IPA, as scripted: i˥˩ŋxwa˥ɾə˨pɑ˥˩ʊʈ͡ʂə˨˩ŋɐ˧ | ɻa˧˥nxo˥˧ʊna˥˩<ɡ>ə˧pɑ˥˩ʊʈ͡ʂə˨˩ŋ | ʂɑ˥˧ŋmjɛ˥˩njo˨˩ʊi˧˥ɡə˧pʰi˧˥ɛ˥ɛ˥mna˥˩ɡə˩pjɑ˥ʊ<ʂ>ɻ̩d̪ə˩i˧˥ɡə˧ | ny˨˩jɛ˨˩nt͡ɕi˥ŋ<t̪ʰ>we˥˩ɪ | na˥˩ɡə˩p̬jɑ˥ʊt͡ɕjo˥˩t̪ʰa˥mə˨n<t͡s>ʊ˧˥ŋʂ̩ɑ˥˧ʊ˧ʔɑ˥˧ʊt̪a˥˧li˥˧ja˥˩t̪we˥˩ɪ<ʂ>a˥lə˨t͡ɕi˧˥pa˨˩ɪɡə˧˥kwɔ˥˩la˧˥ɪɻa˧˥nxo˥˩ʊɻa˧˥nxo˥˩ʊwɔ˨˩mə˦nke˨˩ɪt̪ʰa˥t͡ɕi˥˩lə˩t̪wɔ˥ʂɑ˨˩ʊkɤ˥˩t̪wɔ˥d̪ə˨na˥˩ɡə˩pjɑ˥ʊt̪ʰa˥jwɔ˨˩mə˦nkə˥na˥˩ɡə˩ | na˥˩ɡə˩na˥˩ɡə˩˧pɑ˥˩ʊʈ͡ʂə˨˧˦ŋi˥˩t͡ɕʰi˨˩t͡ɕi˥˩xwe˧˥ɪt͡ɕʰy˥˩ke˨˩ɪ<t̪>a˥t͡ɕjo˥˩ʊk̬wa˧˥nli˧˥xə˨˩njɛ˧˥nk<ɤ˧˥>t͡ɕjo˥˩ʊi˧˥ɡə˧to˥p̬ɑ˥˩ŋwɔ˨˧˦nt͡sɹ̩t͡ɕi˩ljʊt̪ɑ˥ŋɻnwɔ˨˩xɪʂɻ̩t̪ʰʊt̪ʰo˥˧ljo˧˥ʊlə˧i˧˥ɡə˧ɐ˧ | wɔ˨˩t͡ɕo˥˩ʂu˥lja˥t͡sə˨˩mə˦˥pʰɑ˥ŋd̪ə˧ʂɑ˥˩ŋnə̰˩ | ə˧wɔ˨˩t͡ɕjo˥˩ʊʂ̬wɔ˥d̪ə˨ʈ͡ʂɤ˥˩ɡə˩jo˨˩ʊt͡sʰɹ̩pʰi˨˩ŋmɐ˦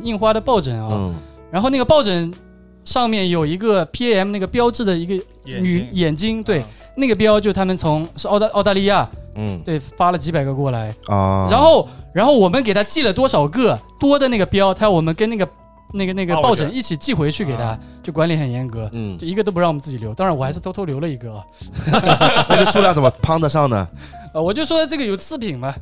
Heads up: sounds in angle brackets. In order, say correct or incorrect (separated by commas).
correct, incorrect, incorrect, incorrect, incorrect, incorrect, correct